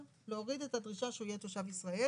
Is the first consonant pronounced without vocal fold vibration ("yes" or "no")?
no